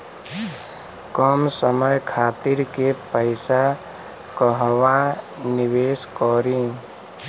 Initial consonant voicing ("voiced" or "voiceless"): voiceless